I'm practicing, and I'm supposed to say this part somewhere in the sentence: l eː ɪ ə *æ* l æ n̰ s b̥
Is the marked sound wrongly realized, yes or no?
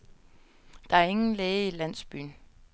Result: yes